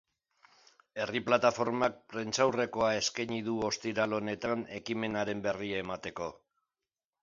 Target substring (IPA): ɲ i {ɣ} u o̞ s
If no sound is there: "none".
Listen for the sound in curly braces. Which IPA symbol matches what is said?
ð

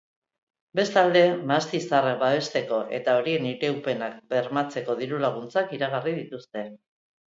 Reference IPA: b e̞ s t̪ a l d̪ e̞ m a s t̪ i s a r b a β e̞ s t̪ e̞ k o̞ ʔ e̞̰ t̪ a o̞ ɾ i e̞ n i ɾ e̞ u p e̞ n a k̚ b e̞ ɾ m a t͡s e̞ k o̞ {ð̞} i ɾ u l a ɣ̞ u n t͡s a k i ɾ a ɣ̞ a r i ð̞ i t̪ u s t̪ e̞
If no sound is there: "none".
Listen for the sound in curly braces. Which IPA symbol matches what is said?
ð̞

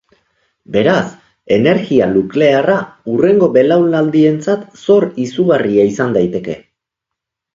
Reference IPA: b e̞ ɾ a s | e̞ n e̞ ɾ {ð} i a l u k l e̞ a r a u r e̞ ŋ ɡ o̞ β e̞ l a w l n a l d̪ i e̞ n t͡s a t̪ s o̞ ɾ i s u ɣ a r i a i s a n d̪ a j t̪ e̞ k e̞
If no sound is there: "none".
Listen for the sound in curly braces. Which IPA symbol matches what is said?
ɣ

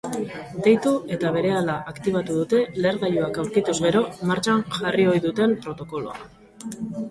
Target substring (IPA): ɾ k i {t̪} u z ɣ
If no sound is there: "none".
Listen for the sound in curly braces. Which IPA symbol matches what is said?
t̪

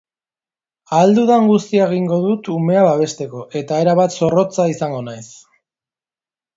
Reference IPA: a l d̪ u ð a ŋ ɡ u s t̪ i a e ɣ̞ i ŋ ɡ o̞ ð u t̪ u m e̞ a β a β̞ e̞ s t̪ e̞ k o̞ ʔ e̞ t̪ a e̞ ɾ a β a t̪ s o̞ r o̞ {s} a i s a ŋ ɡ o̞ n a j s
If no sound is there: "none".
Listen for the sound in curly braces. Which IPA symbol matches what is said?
t͡s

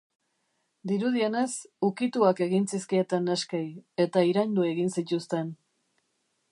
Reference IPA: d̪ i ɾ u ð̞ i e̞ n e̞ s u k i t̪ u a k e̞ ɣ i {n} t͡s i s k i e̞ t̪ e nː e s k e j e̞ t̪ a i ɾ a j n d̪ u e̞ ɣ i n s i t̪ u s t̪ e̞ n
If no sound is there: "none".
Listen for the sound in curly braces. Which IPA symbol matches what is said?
n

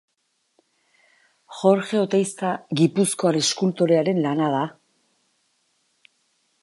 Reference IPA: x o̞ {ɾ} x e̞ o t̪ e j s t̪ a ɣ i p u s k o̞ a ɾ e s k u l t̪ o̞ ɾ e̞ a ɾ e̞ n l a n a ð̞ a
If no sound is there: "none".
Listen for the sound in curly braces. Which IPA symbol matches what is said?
ɾ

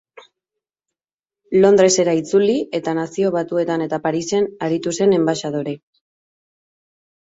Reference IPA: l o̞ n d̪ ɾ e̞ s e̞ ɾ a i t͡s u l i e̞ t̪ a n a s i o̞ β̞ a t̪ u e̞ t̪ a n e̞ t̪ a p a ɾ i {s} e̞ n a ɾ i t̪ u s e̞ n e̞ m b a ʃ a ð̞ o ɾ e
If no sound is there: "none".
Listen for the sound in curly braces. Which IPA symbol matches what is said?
s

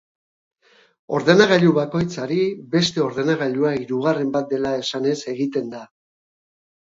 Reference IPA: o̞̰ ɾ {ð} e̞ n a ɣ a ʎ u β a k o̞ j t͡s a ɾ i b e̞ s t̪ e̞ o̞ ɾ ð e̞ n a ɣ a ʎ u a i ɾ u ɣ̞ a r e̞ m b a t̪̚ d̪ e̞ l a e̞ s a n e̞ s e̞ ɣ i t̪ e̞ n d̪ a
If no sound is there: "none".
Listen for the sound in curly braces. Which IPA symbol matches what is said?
ð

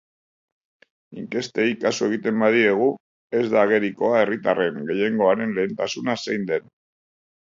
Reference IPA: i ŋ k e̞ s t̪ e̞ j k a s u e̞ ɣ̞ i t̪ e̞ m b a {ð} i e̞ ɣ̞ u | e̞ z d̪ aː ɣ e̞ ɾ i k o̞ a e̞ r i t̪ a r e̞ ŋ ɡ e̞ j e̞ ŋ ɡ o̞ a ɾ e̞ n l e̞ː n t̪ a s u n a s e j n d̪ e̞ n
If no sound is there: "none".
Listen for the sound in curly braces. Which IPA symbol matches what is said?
ð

